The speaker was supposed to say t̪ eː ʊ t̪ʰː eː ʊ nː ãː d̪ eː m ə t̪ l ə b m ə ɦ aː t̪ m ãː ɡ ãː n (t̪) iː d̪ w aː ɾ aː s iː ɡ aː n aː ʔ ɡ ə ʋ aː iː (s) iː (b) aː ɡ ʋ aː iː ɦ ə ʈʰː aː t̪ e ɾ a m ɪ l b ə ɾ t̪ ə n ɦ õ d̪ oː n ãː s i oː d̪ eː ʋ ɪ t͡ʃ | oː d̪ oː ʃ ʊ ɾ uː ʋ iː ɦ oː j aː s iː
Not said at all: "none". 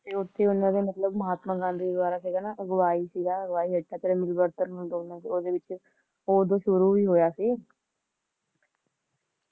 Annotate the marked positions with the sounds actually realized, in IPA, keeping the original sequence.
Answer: d̪, s, ɡ

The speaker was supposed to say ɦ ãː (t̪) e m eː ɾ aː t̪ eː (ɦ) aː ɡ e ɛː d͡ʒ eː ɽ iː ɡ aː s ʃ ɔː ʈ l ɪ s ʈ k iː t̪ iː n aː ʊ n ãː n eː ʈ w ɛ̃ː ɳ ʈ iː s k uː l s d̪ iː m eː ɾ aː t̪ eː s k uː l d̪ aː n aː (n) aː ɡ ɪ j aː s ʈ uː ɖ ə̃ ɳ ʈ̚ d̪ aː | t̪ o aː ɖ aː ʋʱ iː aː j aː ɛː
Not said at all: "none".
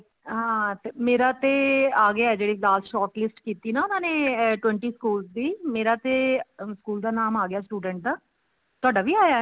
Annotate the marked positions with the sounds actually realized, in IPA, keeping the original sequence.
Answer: t̪, none, m

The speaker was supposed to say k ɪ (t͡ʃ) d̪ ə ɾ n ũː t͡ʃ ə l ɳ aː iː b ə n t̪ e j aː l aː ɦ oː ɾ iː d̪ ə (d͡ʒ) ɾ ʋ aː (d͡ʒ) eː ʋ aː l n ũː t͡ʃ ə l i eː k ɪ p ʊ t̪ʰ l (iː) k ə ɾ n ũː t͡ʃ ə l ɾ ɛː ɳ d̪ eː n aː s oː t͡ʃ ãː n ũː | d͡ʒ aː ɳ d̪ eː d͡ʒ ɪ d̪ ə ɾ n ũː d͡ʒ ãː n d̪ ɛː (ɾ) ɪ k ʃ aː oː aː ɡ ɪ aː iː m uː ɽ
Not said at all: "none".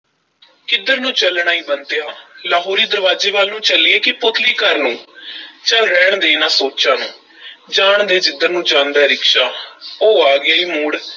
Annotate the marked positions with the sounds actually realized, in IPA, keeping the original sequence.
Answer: none, none, d͡ʒ, iː, ɾ

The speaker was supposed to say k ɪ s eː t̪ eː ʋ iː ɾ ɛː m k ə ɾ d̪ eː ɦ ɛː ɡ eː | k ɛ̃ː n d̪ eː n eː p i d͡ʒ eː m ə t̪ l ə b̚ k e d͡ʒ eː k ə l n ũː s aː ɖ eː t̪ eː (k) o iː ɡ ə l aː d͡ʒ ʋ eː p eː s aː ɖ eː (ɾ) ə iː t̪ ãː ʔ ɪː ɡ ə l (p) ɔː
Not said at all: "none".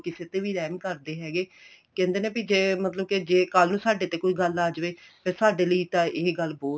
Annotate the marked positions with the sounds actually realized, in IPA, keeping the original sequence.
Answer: k, l, b

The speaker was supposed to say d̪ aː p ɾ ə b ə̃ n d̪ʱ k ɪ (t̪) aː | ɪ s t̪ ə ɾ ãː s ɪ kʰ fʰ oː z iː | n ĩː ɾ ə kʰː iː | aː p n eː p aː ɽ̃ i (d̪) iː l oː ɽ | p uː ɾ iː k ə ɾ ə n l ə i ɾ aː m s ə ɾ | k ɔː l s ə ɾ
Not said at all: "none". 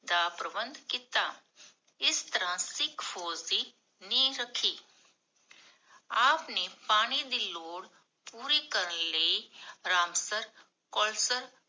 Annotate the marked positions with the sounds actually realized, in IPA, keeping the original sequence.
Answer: t̪, d̪

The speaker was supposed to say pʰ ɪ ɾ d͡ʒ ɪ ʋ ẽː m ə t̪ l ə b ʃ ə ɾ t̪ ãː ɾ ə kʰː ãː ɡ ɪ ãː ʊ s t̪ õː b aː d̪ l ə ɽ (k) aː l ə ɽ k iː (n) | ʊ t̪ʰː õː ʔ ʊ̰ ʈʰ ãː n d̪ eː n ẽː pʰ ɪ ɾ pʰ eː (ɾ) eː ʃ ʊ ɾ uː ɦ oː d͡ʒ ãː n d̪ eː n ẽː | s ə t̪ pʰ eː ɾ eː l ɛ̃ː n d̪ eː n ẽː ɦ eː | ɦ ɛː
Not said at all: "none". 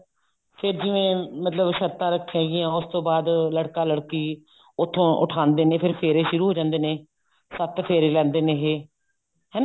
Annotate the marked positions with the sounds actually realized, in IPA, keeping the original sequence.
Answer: k, none, ɾ

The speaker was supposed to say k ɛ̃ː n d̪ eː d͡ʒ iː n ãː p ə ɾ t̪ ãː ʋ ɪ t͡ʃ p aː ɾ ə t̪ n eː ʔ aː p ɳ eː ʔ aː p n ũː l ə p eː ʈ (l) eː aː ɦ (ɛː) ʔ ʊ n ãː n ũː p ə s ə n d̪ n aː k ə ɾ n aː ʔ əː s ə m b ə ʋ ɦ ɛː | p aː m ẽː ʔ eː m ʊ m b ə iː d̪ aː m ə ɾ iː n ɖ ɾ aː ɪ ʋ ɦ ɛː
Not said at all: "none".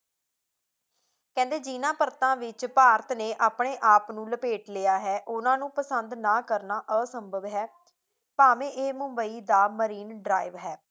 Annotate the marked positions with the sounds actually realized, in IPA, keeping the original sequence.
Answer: l, ɛː

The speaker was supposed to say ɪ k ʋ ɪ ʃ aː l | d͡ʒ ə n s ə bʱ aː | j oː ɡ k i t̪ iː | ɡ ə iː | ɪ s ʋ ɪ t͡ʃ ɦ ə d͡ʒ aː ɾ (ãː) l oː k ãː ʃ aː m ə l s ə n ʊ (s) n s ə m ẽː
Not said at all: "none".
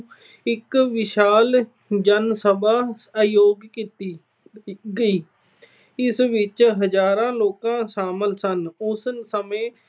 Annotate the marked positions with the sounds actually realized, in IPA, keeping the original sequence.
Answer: ãː, s

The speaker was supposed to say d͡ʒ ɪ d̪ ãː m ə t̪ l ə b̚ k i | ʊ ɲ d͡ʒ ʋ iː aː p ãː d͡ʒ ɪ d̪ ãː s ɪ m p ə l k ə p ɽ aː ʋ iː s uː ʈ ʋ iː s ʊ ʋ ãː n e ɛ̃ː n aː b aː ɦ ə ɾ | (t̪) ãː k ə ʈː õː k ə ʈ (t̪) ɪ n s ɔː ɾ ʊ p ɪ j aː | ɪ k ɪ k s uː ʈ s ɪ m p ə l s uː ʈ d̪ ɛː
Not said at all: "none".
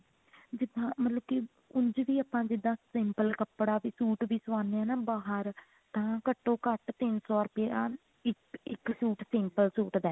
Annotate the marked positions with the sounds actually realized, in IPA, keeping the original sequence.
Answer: t̪, t̪

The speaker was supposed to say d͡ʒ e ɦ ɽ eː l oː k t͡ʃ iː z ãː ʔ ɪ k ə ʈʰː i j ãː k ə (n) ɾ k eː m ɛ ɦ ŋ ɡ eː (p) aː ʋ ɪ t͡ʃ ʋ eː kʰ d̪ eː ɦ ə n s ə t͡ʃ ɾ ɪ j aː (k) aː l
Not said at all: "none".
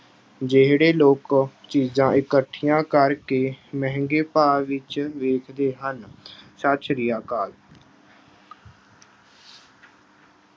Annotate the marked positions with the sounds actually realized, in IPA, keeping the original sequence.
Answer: none, p, k

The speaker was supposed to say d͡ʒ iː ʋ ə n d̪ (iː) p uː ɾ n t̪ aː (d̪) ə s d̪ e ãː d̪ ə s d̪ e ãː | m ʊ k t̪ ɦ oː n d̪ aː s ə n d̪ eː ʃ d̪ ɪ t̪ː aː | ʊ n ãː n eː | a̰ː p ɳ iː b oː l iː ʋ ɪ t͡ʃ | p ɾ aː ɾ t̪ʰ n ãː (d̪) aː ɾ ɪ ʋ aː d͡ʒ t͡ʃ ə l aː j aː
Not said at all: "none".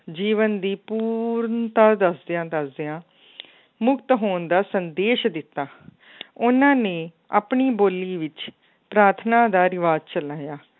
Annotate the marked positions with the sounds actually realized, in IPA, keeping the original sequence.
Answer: iː, d̪, d̪

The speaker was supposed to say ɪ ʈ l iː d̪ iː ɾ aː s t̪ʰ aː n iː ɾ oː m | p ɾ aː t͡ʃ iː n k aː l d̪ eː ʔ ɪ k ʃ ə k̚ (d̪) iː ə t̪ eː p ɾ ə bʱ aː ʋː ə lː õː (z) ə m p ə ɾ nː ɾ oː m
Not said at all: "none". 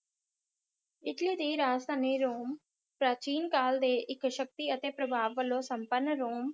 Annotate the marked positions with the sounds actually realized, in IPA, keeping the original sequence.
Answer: t̪, s

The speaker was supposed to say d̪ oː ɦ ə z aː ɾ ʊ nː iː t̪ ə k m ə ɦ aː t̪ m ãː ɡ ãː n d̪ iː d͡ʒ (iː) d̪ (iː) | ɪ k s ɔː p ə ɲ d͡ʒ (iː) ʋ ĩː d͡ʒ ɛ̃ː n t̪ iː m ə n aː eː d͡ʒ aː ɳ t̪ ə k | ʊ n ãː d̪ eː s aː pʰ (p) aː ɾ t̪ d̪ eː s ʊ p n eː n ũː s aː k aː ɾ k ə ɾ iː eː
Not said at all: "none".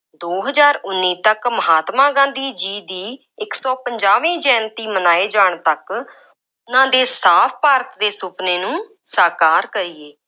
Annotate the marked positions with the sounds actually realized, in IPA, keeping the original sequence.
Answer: iː, iː, aː, p

